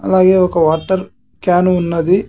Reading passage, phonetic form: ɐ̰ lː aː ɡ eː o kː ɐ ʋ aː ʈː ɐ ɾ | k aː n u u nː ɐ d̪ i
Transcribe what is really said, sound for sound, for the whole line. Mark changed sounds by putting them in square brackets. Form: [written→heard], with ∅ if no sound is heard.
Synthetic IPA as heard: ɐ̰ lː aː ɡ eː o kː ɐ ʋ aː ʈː ɐ ɾ | k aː n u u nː ɐ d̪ i